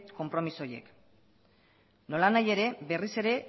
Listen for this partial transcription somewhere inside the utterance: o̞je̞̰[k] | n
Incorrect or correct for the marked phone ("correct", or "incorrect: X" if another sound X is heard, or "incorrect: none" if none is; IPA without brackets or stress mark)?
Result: correct